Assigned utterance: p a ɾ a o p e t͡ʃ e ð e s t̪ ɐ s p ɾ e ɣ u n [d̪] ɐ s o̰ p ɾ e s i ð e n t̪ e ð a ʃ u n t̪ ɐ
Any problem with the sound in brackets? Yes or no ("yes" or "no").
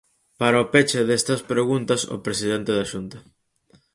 yes